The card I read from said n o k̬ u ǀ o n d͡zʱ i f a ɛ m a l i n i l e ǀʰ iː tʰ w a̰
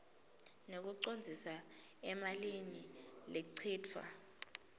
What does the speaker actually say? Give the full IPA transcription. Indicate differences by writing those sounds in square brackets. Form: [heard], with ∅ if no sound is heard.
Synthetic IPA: n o k̬ u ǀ o n d͡zʱ i [s] a ɛ m a l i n i l e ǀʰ iː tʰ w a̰